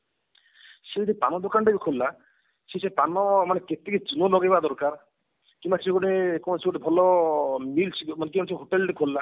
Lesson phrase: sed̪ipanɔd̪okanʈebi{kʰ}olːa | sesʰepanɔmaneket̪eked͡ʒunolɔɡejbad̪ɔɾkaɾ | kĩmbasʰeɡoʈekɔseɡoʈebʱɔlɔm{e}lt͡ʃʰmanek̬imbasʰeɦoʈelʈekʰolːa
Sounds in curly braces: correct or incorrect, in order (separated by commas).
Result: correct, incorrect